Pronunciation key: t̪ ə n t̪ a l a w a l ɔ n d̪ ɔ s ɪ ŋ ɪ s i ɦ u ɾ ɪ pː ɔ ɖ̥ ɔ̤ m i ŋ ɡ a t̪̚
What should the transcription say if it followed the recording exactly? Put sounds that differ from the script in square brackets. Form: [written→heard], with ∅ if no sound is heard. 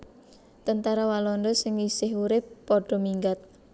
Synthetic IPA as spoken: t̪ ə n t̪ a [l→ɾ] a w a l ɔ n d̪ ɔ s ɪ ŋ [ɪ→i] s [i→ɪ] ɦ u ɾ ɪ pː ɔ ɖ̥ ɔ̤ m i ŋ ɡ a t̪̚